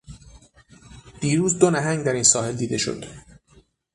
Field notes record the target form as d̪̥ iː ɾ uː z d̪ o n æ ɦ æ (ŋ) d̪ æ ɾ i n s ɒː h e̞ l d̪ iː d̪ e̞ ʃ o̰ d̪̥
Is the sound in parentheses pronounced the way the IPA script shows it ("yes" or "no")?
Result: yes